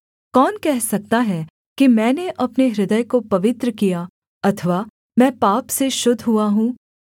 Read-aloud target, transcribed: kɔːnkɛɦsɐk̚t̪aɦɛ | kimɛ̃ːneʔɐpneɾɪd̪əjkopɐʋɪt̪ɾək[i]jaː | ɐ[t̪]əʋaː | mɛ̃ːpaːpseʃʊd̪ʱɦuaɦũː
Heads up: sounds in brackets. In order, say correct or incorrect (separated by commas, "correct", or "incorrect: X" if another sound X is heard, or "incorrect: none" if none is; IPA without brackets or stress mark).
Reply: correct, incorrect: t̪ʰ